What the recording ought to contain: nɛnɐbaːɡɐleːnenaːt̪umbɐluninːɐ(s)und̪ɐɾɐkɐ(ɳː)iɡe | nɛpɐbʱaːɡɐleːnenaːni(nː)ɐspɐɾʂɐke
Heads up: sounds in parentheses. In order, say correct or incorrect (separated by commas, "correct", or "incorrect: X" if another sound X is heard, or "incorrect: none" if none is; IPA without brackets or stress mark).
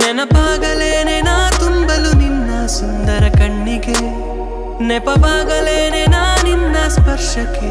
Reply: correct, correct, correct